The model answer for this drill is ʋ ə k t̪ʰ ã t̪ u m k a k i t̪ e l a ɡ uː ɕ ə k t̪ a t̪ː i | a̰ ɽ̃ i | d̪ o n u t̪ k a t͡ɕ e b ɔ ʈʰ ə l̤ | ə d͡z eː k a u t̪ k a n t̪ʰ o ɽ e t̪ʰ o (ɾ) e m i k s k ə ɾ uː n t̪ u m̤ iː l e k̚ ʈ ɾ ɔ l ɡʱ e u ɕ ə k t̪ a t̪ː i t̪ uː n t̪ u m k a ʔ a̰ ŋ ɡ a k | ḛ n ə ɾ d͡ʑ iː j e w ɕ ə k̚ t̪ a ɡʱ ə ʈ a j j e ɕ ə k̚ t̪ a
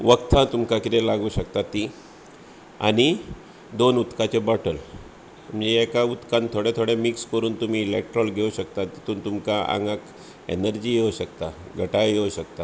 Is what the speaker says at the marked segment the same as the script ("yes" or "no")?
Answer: no